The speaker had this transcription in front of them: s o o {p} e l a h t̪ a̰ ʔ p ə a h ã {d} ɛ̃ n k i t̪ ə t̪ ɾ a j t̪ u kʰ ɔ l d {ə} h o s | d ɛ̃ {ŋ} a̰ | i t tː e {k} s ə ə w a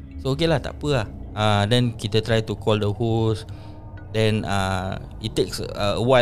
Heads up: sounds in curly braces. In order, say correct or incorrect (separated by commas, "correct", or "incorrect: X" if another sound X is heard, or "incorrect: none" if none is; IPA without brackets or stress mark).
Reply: incorrect: k, correct, correct, incorrect: n, correct